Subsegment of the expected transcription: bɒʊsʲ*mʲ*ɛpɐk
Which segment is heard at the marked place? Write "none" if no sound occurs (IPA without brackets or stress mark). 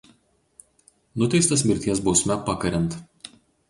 mʲ